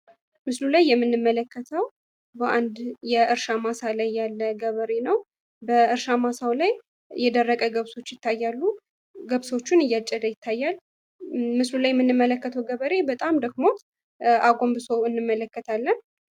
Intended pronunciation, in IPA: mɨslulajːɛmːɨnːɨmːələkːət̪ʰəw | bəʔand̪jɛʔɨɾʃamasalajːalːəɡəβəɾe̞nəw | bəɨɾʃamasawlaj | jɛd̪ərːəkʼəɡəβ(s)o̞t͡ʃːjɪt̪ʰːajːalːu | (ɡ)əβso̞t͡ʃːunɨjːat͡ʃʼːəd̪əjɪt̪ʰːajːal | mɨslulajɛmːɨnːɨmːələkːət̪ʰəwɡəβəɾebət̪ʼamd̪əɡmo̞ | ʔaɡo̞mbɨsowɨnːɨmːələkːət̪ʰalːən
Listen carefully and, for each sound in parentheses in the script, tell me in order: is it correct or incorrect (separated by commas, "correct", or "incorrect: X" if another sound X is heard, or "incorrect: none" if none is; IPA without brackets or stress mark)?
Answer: correct, correct